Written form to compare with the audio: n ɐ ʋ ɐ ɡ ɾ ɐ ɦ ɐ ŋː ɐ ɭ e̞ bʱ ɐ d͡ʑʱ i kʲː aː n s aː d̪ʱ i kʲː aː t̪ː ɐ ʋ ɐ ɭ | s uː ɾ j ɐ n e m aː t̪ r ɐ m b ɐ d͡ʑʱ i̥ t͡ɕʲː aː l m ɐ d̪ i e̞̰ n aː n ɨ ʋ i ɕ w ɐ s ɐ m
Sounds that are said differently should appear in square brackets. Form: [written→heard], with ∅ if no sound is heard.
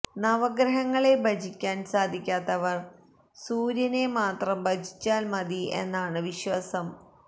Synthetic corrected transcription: n ɐ ʋ ɐ ɡ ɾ ɐ ɦ ɐ ŋː ɐ ɭ e̞ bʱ ɐ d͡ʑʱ i kʲː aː n s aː d̪ʱ i kʲː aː t̪ː ɐ ʋ ɐ [ɭ→r] | s uː ɾ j ɐ n e m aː t̪ r ɐ m b ɐ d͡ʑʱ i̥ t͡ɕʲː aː l m ɐ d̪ i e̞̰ [n→nː] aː [n→ɳ] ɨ ʋ i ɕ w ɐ s ɐ m